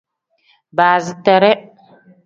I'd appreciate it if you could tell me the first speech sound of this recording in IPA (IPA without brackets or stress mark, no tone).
b